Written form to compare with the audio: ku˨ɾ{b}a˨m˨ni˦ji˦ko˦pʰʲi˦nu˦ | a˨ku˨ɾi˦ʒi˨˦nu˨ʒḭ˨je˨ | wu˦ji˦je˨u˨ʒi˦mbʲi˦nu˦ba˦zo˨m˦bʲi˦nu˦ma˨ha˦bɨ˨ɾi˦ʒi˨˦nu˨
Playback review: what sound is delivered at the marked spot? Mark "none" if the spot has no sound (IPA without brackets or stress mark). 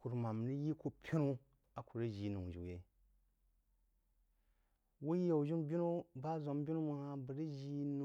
m